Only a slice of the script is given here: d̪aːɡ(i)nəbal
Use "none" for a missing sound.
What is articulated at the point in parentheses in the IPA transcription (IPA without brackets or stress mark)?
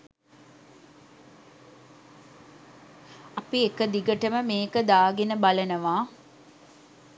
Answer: e